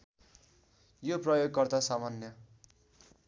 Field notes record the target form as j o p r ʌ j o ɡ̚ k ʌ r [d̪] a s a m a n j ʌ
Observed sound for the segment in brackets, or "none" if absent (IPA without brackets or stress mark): t̪